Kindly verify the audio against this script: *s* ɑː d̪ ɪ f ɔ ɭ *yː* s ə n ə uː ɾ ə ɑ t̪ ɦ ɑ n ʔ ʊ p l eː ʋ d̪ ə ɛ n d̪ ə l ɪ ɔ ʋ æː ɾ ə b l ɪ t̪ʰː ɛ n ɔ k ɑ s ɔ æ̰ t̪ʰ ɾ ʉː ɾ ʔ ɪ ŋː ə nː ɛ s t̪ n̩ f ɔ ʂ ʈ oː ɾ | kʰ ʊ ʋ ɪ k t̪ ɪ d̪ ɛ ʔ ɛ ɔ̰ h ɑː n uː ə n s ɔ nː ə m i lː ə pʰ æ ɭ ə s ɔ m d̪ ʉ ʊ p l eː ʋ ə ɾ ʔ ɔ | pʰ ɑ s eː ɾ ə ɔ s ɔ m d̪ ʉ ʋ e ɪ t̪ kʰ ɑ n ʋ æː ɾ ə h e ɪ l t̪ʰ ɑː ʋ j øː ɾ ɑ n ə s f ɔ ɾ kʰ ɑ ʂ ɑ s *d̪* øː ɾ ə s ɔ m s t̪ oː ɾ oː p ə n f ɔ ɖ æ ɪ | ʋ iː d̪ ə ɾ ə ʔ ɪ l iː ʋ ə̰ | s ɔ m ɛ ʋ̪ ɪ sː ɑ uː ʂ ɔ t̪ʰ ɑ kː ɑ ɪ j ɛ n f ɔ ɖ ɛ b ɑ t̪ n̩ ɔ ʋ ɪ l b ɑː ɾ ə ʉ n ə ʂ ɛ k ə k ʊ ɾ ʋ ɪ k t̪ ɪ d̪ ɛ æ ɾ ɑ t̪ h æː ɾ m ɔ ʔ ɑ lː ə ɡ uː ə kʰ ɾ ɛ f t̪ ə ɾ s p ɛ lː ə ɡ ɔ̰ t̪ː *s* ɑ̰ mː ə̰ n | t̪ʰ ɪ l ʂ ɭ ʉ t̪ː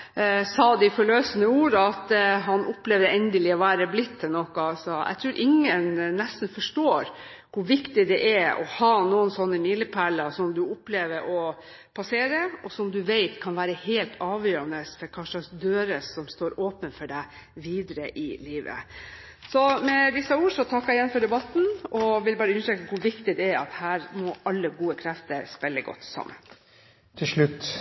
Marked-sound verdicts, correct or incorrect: correct, incorrect, correct, correct

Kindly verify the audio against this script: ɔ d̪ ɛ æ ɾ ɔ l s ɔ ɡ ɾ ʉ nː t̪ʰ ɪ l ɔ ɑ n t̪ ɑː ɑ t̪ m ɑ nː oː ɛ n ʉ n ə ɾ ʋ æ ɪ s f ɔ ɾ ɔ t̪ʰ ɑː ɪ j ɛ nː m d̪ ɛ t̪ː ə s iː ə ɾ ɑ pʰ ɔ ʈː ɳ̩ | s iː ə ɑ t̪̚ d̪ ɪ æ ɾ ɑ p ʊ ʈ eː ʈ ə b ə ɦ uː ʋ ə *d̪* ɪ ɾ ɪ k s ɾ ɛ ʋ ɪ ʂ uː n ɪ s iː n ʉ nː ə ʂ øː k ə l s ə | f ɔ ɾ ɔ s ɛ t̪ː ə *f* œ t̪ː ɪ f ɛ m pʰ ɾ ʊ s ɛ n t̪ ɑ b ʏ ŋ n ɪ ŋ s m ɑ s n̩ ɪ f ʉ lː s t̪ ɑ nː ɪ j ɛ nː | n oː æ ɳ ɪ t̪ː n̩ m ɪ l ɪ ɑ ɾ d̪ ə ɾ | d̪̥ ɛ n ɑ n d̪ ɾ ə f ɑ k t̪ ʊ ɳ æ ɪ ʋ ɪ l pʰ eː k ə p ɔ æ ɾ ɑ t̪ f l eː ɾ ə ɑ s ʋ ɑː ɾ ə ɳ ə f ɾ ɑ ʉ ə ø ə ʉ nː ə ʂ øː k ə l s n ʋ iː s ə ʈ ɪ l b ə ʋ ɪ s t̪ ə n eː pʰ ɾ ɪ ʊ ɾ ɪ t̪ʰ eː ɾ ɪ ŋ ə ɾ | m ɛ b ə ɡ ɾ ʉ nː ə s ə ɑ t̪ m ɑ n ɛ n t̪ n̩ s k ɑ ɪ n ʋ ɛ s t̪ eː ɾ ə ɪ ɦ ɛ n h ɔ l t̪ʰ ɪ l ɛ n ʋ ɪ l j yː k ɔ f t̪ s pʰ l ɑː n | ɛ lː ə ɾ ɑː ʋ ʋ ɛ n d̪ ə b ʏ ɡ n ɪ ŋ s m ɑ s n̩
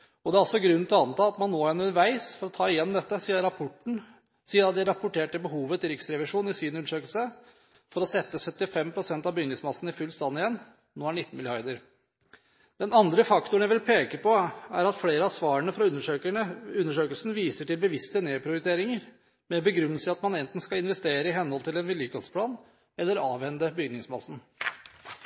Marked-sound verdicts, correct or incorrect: incorrect, incorrect

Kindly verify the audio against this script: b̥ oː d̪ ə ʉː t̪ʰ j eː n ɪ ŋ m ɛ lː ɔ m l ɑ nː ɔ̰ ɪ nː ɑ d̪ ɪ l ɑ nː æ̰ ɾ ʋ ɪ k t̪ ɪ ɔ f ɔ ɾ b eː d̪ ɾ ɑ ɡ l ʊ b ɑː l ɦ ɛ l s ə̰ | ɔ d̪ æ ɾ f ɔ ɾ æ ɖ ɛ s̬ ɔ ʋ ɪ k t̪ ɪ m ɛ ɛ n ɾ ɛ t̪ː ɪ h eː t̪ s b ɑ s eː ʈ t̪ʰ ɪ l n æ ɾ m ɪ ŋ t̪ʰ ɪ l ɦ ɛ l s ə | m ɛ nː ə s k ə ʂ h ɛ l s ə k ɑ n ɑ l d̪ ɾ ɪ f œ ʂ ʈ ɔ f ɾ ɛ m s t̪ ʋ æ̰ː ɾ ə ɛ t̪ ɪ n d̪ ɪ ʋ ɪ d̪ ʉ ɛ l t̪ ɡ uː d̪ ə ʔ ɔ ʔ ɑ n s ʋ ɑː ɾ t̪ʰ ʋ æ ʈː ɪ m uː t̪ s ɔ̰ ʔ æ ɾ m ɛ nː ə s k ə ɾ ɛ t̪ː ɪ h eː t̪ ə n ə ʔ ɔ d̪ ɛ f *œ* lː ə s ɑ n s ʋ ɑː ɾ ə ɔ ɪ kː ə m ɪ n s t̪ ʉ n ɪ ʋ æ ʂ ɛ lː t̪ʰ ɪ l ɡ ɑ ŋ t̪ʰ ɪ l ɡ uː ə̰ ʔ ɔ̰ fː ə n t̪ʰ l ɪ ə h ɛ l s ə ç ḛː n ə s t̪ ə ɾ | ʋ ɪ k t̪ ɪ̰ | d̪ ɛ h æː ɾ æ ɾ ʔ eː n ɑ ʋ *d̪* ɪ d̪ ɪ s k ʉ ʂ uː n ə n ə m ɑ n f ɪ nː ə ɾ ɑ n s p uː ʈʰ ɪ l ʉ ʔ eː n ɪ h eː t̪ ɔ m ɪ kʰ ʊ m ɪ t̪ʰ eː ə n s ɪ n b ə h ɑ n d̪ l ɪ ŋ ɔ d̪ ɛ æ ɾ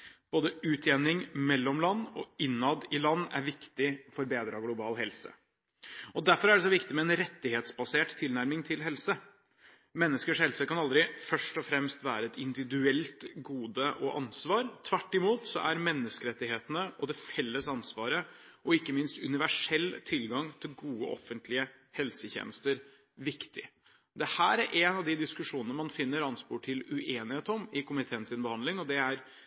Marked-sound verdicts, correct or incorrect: incorrect, correct

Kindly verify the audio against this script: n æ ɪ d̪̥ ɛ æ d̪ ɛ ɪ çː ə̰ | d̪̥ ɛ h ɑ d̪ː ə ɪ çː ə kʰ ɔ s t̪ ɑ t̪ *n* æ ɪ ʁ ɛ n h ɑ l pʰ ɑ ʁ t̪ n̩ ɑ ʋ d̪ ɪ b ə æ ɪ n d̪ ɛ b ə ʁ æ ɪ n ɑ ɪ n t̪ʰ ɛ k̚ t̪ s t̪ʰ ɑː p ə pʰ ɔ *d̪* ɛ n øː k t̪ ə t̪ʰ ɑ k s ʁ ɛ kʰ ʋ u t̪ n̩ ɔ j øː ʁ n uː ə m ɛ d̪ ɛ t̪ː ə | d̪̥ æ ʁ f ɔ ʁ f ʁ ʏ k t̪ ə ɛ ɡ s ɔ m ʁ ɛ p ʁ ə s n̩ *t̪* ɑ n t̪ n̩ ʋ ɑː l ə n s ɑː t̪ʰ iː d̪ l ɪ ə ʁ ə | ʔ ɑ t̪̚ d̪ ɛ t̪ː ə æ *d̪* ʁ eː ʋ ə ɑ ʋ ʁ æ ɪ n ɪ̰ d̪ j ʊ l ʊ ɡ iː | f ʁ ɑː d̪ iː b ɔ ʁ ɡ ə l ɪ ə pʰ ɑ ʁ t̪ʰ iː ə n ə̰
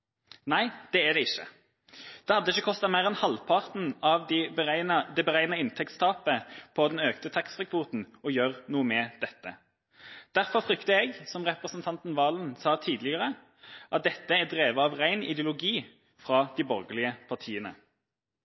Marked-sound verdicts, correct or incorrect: incorrect, correct, incorrect, correct

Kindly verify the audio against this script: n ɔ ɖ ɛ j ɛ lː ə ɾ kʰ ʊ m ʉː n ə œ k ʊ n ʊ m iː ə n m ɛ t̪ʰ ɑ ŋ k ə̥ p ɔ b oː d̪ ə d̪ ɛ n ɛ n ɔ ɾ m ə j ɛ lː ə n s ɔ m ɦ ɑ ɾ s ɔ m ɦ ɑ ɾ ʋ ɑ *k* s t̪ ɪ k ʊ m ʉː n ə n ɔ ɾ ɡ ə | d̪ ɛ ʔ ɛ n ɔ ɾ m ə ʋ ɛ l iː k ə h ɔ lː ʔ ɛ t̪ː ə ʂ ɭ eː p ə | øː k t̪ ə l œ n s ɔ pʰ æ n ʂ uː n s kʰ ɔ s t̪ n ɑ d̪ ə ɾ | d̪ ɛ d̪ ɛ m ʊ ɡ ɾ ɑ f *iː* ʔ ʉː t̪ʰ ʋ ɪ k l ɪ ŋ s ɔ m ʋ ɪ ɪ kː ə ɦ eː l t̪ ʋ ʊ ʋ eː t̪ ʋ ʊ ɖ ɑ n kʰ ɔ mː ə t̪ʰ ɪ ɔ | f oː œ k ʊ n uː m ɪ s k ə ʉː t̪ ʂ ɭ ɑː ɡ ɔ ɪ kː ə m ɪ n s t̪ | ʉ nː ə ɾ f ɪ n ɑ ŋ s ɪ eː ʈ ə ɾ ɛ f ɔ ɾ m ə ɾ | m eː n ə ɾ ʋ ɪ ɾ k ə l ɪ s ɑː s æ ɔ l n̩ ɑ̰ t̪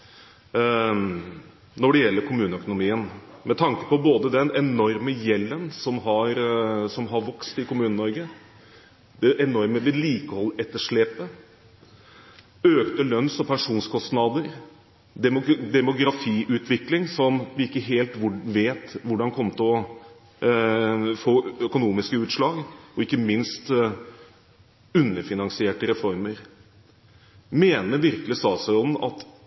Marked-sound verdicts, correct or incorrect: correct, correct

